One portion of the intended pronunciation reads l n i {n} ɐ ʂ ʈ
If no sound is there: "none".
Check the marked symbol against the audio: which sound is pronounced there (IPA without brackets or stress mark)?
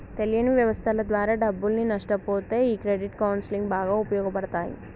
n